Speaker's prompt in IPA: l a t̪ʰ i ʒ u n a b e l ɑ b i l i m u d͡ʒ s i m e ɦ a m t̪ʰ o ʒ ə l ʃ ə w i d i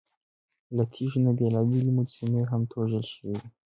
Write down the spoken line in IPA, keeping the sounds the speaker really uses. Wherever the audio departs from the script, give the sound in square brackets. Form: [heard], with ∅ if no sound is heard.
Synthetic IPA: l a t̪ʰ i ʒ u n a b e l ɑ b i l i m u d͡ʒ s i m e ɦ a m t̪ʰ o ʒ ə l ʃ ə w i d i